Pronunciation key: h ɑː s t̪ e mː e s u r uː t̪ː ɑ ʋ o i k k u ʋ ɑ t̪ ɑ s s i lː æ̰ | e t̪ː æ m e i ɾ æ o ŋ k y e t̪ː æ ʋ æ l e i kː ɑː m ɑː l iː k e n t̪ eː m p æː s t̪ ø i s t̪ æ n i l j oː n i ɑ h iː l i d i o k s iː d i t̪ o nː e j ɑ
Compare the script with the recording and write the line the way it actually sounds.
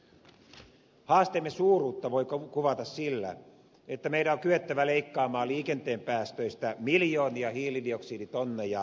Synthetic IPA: h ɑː s t̪ e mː e s uː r uː t̪ː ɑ ʋ o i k k u ʋ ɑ t̪ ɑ s s i lː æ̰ | e t̪ː æ m e i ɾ æ o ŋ k y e t̪ː æ ʋ æ l e i kː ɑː m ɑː l iː k e n t̪ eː m p æː s t̪ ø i s t̪ æ m i l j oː n i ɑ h iː l i d i o k s iː d i t̪ o nː e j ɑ